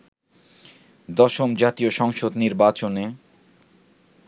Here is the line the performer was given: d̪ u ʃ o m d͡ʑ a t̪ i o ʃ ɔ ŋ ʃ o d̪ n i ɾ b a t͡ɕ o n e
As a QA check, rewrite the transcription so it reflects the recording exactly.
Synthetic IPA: d̪ ɔ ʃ o m d͡ʑ a t̪ i o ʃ ɔ ŋ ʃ o d̪ n i ɾ b a t͡ɕ o n e